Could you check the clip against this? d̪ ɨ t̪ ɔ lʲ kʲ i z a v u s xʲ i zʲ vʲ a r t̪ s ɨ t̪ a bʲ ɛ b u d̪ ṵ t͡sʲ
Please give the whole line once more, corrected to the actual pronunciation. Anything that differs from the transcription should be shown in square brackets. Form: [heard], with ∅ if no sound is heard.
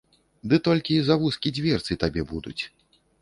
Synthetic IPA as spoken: d̪ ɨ t̪ ɔ lʲ kʲ i z a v u s [kʲ] i [d͡zʲ] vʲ [ɛ] r t̪ s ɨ t̪ a bʲ ɛ b u d̪ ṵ t͡sʲ